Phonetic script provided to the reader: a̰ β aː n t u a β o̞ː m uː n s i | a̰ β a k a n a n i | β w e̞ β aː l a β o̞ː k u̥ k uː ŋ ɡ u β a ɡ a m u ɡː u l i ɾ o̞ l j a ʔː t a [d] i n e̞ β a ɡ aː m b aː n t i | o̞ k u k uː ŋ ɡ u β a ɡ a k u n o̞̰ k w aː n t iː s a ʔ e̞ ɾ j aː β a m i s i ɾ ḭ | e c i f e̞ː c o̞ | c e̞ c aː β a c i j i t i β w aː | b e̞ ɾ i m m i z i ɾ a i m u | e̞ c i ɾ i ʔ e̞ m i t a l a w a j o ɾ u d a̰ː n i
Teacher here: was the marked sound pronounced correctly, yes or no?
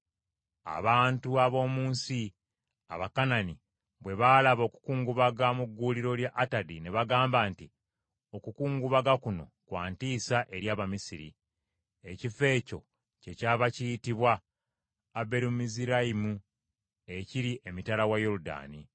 yes